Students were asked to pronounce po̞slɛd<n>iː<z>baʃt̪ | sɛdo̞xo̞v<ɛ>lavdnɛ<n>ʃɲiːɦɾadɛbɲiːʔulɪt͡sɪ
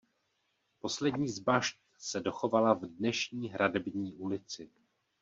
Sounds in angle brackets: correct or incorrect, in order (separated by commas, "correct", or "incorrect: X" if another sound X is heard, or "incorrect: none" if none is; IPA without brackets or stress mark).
incorrect: ɲ, correct, incorrect: a, incorrect: none